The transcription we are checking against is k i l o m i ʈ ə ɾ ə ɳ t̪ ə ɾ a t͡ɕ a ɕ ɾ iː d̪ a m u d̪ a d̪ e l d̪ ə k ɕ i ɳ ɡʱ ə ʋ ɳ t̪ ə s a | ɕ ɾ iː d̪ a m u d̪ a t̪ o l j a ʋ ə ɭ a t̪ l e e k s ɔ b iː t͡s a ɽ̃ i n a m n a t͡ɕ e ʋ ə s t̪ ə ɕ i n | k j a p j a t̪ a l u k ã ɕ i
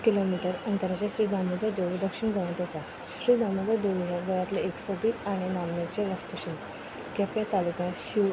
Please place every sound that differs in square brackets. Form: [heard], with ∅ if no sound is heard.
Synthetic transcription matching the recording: k i l o m i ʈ ə ɾ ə [n] t̪ ə ɾ a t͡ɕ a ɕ ɾ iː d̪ a m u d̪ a d̪ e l d̪ ə k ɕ i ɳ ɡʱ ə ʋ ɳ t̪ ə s a | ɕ ɾ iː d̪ a m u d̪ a [d̪] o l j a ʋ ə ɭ a t̪ l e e k s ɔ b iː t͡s a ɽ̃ i n a m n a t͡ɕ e ʋ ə s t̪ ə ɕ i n | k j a p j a t̪ a l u k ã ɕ i